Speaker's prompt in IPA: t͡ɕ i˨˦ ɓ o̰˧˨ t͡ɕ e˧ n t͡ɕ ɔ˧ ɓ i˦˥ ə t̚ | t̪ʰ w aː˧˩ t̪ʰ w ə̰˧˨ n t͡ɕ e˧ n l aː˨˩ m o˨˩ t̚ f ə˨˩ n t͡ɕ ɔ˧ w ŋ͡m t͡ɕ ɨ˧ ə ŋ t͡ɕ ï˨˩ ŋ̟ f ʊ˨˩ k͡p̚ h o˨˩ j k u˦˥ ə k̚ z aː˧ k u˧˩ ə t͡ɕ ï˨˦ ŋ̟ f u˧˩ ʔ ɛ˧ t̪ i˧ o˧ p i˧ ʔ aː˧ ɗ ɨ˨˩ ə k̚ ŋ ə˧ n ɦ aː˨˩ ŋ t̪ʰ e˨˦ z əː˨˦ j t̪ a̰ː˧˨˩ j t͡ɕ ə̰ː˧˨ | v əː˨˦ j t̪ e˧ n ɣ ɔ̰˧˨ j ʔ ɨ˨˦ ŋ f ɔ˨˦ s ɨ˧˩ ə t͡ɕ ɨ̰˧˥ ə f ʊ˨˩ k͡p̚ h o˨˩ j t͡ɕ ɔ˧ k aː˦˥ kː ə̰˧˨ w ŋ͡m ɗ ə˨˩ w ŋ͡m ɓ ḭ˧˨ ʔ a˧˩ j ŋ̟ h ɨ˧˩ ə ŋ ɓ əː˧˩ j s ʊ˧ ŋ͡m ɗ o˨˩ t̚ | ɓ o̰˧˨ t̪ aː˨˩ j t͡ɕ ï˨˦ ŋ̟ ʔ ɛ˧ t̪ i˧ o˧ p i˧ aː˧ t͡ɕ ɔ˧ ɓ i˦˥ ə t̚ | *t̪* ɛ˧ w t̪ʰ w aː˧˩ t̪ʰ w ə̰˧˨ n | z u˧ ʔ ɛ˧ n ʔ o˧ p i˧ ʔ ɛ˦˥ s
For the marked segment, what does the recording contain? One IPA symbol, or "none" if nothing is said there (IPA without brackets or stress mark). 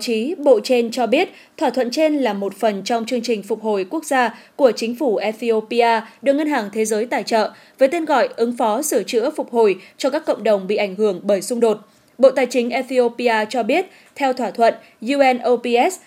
t̪ʰ